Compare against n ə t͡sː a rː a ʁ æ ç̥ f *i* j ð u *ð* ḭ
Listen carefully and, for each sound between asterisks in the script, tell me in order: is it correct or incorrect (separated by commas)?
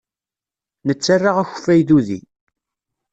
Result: incorrect, correct